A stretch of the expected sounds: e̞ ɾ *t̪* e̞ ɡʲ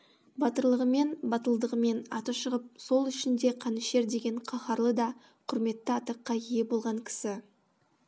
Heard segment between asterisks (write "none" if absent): d̪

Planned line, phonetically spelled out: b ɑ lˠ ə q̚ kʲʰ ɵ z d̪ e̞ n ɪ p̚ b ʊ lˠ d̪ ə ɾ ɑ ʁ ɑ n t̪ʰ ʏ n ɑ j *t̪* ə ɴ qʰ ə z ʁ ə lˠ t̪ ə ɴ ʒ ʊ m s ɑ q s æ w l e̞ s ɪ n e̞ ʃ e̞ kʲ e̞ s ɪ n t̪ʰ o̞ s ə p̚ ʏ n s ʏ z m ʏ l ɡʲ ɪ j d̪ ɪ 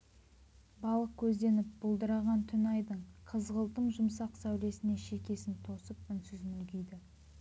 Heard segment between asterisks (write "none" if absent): d̪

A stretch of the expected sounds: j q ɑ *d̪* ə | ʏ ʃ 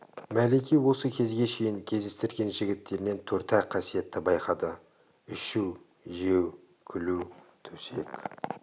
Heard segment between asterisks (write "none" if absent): d̪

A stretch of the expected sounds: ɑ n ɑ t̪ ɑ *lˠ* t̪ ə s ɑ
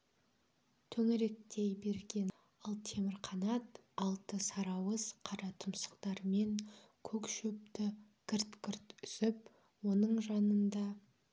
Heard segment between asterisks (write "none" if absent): lˠ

